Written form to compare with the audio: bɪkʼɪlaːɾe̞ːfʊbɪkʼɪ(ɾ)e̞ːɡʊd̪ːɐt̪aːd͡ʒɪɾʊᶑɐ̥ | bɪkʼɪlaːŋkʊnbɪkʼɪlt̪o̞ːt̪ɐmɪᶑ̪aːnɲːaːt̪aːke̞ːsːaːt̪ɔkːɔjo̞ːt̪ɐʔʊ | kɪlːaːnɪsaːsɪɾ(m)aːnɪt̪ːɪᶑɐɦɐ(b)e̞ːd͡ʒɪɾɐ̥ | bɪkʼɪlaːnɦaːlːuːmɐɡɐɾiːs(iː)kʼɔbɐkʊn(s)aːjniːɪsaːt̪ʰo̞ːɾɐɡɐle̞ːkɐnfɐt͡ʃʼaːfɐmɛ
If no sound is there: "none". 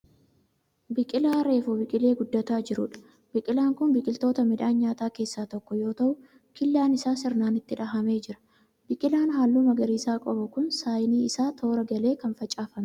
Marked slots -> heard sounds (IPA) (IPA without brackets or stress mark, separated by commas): l, n, m, aː, s